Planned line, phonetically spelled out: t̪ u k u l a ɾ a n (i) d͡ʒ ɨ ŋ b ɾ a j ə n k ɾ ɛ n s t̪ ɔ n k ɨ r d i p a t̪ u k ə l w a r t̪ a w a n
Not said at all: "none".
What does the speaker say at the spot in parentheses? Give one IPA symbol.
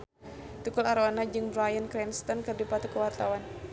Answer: a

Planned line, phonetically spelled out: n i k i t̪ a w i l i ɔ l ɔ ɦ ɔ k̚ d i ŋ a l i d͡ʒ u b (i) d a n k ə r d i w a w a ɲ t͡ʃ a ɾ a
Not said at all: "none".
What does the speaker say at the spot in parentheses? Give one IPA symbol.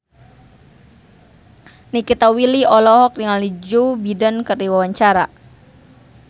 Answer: i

